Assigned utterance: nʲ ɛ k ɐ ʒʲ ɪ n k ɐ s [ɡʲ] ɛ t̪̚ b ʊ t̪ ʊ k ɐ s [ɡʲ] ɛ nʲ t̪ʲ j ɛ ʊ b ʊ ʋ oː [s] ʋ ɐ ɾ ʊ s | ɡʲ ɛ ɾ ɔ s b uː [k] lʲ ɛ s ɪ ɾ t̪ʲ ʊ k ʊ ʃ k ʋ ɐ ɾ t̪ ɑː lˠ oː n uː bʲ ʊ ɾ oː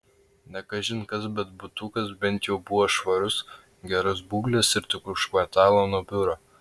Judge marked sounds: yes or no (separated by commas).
no, no, no, no